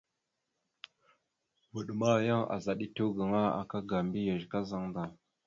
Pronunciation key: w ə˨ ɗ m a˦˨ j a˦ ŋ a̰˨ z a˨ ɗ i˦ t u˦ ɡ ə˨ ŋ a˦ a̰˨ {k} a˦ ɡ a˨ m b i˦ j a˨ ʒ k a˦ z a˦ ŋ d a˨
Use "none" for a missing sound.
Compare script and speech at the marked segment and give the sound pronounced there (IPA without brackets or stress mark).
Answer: k